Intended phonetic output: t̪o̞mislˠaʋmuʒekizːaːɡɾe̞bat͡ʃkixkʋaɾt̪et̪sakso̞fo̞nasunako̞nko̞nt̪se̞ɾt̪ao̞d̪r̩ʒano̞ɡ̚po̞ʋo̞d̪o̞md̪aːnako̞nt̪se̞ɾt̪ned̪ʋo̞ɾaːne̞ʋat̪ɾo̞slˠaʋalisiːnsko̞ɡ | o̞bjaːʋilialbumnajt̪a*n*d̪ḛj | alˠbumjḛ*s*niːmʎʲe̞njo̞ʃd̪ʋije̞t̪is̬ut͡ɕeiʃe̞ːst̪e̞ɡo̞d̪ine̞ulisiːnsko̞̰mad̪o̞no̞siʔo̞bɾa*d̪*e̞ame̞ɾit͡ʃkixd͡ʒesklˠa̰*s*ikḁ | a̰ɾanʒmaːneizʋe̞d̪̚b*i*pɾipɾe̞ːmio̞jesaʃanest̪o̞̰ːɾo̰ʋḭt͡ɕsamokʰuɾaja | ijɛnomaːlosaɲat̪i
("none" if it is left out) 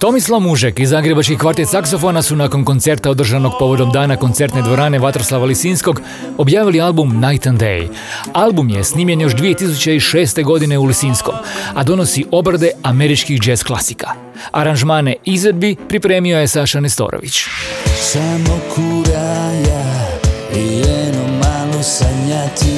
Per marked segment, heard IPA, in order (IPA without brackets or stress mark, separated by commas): n, s, d̪, s, i